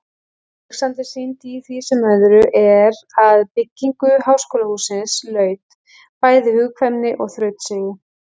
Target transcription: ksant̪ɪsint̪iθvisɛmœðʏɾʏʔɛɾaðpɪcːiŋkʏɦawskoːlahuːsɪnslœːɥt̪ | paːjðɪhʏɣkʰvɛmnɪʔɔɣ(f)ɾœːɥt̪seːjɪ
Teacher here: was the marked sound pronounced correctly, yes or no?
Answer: no